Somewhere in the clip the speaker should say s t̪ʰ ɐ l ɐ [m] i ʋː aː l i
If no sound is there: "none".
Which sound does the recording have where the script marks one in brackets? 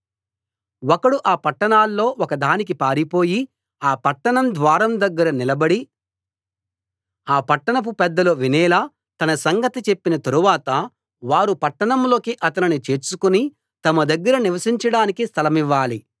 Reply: m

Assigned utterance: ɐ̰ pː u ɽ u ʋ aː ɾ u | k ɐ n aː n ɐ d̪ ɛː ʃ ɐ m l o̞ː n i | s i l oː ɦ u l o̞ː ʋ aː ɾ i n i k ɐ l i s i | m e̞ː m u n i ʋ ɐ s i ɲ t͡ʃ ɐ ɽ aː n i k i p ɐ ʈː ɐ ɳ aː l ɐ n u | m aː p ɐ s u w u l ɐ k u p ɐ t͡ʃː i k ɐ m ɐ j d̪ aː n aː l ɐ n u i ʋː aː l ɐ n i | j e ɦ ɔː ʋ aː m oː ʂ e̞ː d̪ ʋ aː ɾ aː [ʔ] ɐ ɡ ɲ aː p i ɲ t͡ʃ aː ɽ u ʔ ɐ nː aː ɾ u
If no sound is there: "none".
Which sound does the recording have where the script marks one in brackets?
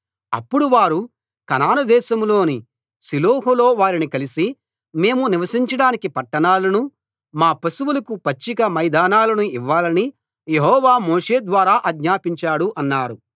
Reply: ʔ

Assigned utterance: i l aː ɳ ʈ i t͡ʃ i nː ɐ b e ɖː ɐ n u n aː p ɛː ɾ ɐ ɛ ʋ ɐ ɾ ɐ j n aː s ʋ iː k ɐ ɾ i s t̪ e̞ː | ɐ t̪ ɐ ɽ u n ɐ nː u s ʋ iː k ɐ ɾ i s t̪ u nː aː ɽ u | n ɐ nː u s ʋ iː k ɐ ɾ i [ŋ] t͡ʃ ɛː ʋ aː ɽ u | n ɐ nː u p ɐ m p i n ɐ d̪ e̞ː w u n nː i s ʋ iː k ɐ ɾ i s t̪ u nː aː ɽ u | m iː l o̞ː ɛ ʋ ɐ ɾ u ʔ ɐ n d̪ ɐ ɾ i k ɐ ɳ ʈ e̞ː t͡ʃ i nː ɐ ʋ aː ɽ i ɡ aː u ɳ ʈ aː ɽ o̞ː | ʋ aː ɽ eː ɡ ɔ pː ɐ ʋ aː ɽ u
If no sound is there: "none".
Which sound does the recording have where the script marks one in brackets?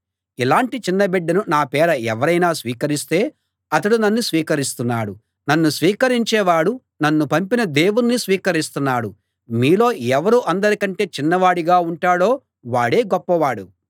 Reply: ɲ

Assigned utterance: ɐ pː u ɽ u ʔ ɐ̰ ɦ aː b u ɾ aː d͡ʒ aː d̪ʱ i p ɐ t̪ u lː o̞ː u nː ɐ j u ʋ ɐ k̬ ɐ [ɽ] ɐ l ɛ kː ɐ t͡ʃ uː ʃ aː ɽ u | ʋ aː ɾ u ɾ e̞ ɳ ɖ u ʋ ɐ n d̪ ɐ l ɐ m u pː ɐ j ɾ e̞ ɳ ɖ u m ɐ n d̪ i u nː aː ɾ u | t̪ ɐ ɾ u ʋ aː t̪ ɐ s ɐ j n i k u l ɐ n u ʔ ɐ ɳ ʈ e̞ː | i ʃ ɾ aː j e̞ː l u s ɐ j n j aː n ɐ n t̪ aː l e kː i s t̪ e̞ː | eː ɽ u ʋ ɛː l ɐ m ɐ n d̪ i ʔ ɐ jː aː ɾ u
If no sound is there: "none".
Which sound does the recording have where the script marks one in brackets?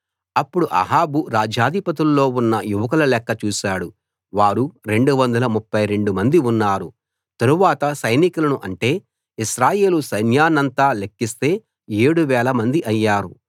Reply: l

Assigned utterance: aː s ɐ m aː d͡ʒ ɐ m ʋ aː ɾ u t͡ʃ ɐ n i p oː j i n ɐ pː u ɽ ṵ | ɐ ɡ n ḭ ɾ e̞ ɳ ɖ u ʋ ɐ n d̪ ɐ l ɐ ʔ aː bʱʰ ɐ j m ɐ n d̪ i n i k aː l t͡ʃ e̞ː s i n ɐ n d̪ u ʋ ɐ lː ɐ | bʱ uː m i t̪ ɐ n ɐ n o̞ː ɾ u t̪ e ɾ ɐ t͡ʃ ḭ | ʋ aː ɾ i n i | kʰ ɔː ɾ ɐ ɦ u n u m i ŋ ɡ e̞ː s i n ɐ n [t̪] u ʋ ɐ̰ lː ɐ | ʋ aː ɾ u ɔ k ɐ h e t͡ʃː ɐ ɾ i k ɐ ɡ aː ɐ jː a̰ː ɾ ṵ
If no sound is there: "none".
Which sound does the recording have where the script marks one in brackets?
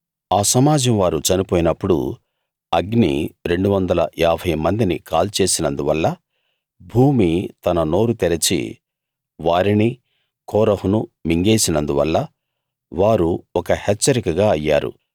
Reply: d̪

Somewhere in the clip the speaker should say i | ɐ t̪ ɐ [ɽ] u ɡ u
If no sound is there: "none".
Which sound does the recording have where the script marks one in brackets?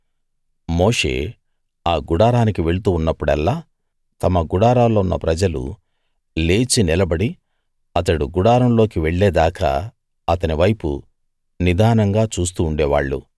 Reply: ɽ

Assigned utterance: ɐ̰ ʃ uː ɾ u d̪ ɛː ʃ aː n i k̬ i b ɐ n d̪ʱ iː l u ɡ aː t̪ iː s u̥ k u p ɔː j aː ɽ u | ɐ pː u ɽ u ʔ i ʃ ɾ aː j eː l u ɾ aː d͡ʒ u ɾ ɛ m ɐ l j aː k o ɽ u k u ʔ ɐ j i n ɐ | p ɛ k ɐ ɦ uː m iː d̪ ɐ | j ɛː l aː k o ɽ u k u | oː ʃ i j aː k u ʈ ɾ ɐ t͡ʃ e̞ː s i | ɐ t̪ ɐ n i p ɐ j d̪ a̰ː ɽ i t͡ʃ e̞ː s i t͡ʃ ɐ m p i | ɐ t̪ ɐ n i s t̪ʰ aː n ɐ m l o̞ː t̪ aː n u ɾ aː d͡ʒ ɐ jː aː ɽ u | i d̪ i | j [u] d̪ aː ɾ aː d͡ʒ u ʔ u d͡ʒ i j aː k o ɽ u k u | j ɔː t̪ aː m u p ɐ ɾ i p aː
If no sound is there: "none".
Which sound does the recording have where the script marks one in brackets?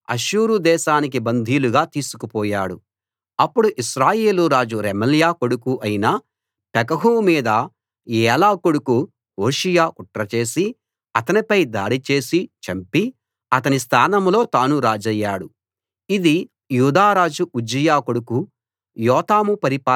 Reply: uː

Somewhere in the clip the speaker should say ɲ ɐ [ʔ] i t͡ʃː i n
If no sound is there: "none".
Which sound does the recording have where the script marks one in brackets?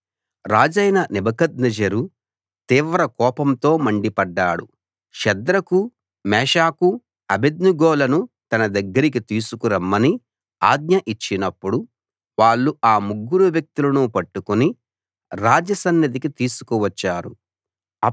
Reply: ʔ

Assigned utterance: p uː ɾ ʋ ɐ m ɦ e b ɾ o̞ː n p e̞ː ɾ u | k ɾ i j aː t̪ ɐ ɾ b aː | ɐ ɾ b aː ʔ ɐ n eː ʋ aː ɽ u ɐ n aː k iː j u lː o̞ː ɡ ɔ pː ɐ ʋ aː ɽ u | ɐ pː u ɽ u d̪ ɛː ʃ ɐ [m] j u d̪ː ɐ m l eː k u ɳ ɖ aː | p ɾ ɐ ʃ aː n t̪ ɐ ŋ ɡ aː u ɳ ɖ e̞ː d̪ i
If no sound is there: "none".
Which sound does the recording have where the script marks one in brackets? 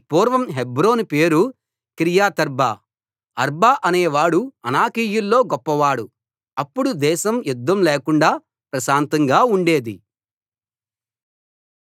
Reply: m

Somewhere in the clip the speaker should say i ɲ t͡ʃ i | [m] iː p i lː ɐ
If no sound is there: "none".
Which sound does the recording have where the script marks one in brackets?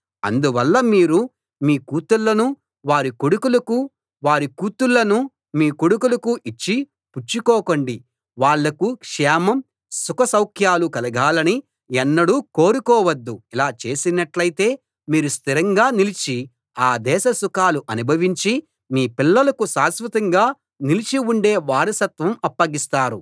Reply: m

